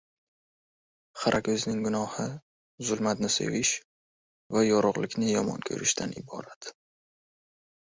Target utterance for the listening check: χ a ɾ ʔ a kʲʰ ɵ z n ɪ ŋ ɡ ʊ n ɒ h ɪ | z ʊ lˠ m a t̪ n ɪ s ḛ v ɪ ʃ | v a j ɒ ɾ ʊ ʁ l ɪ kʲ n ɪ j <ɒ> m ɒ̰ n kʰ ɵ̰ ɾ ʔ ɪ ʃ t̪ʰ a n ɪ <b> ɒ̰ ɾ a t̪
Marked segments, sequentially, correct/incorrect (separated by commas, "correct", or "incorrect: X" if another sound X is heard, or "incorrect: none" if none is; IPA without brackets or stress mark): correct, correct